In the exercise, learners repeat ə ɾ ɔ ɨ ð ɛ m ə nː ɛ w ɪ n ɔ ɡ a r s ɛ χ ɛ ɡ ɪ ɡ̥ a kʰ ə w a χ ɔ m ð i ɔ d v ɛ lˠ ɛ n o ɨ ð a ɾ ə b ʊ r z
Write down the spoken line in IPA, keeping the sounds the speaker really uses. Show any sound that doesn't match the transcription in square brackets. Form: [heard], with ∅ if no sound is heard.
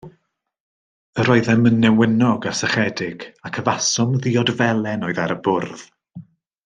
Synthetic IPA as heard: ə ɾ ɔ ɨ ð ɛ m ə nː ɛ w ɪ n ɔ ɡ a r s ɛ χ ɛ [d] ɪ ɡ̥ a kʰ ə [v] a [s] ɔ m ð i ɔ d v ɛ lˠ ɛ n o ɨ ð a ɾ ə b ʊ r [ð]